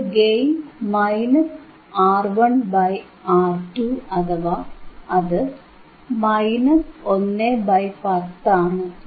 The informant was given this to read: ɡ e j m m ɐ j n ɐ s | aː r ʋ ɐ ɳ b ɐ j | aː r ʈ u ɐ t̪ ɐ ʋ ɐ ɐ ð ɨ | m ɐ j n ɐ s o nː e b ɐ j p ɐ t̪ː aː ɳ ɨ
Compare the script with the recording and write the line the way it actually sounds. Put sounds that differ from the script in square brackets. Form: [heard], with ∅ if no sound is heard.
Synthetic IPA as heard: ɡ e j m m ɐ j n ɐ s | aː r ʋ ɐ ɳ b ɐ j | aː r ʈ u ɐ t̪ ɐ ʋ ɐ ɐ ð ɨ | m ɐ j n ɐ s o nː e b ɐ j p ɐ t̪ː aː ɳ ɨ